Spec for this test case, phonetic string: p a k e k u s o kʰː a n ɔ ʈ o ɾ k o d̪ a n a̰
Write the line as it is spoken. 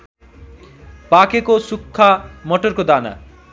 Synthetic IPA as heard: p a k e k o s u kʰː a m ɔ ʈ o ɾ k o d̪ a n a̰